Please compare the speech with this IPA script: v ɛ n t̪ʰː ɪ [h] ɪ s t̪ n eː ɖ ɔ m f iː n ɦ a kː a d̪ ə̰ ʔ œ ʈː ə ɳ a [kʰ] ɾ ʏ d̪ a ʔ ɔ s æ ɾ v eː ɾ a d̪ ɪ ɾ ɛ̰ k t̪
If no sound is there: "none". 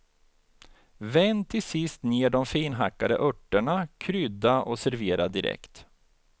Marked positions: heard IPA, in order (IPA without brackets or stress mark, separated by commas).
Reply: s, kʰ